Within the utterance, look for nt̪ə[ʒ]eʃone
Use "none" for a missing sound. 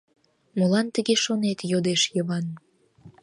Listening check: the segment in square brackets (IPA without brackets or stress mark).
ɣ